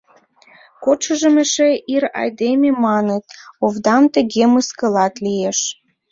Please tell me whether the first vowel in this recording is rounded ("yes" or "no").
yes